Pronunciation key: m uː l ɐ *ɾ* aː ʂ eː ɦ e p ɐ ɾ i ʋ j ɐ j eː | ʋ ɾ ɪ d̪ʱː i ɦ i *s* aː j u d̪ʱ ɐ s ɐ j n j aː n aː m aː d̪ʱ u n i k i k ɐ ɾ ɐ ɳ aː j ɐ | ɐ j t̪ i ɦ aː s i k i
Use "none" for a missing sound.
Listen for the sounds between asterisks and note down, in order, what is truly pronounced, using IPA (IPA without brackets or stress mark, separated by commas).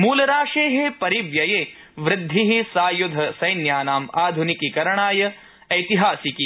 ɾ, s